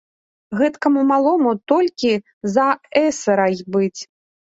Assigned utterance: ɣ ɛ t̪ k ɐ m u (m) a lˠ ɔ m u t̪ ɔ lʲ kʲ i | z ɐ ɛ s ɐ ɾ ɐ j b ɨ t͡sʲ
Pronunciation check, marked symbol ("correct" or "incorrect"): correct